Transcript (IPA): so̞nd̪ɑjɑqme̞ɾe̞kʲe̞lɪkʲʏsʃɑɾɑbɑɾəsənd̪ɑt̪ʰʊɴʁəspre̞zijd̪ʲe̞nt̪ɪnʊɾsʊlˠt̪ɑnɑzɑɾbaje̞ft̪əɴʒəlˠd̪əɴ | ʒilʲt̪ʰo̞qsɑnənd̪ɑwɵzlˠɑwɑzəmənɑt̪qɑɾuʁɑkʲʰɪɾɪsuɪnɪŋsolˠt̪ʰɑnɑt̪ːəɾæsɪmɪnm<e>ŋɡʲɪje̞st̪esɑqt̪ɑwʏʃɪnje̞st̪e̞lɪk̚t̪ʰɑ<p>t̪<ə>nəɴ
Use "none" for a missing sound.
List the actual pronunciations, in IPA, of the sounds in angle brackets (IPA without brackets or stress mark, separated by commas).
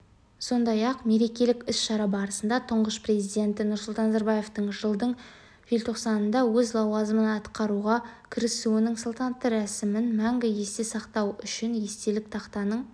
æ, q, ɑ